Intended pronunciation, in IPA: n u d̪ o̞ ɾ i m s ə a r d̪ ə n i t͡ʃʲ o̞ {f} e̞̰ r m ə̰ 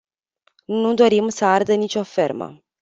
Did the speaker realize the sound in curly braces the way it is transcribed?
yes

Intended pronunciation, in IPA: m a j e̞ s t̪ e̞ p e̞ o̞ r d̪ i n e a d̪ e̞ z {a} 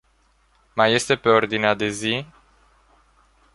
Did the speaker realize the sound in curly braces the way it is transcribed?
no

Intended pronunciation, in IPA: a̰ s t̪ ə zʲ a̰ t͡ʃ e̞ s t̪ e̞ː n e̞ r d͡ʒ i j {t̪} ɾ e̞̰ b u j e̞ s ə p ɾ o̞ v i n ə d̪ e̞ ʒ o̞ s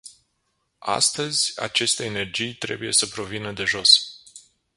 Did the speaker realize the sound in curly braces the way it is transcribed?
yes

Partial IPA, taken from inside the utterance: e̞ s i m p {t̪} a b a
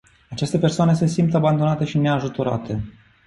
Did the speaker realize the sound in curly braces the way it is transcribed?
yes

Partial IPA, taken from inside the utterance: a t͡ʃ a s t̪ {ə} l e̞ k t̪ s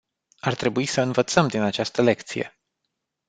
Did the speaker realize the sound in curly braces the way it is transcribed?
yes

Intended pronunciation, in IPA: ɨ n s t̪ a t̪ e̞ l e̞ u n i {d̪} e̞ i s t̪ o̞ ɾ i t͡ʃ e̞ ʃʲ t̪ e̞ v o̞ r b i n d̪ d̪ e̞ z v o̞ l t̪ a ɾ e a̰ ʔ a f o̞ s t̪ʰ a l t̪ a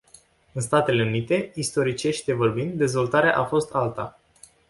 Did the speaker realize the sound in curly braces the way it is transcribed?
no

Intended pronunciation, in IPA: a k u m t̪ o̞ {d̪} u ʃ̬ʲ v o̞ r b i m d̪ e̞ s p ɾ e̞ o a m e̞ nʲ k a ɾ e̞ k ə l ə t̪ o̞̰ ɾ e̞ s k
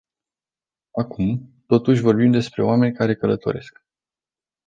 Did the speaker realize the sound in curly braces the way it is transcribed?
no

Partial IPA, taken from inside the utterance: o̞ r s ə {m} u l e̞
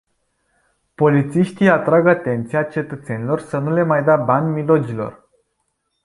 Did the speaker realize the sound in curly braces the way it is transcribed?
no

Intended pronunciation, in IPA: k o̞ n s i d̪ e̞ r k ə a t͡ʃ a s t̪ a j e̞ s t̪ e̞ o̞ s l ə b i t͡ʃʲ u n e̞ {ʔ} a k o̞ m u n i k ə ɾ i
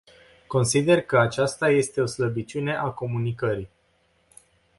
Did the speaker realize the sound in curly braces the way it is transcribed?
yes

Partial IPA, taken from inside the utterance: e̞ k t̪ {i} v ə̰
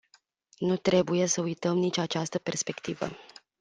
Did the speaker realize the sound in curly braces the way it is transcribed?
yes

